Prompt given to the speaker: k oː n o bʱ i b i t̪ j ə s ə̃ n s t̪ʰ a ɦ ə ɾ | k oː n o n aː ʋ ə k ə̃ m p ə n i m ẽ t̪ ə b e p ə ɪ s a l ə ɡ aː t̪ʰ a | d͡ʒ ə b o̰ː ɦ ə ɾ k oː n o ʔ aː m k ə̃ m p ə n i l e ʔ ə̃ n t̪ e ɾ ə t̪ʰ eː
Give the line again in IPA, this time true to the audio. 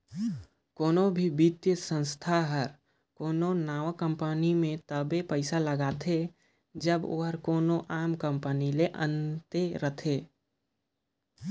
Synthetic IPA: k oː n o bʱ i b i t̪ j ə s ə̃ n s t̪ʰ a ɦ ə ɾ | k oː n o n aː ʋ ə k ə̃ m p ə n i m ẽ t̪ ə b e p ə ɪ s a l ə ɡ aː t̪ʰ e | d͡ʒ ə b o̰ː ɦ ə ɾ k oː n o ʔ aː m k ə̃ m p ə n i l e ʔ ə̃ n t̪ e ɾ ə t̪ʰ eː

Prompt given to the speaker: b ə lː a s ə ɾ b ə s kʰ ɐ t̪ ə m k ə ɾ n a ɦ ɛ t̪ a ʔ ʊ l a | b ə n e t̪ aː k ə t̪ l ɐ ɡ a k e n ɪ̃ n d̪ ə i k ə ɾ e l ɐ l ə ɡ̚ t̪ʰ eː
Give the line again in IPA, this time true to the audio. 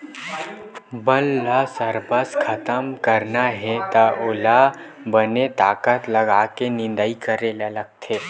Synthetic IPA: b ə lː a s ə ɾ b ə s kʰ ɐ t̪ ə m k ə ɾ n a ɦ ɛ t̪ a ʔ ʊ l a | b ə n e t̪ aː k ə t̪ l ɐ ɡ a k e n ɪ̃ n d̪ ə i k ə ɾ e l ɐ l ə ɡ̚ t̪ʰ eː

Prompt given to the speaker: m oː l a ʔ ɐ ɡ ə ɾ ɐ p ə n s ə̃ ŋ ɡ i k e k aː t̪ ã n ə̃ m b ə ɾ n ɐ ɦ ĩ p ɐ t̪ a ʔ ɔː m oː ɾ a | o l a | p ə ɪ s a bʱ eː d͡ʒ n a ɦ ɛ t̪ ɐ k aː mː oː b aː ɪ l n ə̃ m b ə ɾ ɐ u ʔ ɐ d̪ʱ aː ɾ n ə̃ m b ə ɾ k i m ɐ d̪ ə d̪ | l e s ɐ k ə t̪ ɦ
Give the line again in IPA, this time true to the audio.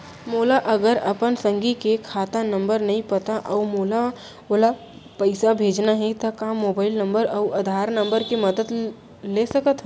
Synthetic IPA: m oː l a ʔ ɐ ɡ ə ɾ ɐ p ə n s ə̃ ŋ ɡ i k e kʰ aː t̪ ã n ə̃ m b ə ɾ n ɐ ɦ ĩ p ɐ t̪ a ʔ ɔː m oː l a | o l a | p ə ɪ s a bʱ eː d͡ʒ n a ɦ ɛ t̪ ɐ k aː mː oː b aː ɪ l n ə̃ m b ə ɾ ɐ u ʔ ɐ d̪ʱ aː ɾ n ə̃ m b ə ɾ k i m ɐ d̪ ə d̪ | l e s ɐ k ə t̪ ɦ

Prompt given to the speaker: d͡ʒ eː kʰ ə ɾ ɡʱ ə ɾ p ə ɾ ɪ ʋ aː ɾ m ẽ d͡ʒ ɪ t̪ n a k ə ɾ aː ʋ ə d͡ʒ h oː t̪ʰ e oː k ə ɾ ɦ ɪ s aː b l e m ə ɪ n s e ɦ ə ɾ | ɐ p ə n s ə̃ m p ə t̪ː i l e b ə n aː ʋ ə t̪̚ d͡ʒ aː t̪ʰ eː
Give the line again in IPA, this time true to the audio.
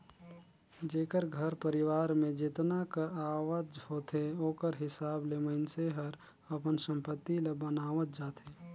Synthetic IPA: d͡ʒ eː k ə ɾ ɡʱ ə ɾ p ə ɾ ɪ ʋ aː ɾ m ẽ d͡ʒ ɪ t̪ n a k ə ɾ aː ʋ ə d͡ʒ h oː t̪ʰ e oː k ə ɾ ɦ ɪ s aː b l e m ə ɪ n s e ɦ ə ɾ | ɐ p ə n s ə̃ m p ə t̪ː i l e b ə n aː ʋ ə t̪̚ d͡ʒ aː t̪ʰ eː

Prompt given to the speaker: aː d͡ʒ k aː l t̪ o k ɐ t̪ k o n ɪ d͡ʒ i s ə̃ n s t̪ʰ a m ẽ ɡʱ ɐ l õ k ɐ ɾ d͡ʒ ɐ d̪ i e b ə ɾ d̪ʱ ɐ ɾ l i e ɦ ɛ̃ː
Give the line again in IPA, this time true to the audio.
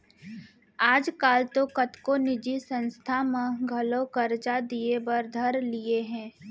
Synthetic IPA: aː d͡ʒ k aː l t̪ o k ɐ t̪ k o n ɪ d͡ʒ i s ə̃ n s t̪ʰ a m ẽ ɡʱ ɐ l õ k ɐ ɾ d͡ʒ a d̪ i e b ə ɾ d̪ʱ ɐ ɾ l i e ɦ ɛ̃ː

